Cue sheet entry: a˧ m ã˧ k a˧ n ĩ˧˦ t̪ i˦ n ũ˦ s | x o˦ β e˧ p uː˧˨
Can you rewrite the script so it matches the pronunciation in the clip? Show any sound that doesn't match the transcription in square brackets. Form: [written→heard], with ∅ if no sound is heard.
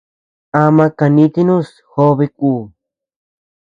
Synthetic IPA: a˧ m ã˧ k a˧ n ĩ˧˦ t̪ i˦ n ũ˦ s | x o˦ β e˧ [p→k] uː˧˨